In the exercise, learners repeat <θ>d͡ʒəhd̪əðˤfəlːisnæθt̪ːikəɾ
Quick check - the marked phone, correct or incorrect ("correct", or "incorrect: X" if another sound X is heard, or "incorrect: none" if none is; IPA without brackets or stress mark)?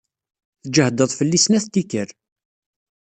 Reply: correct